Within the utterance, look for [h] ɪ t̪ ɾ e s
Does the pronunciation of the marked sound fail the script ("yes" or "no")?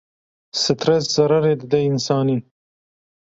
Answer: yes